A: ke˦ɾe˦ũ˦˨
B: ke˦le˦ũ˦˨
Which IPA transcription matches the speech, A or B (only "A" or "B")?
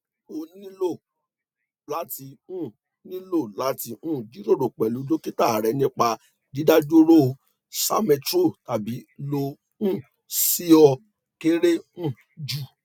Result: A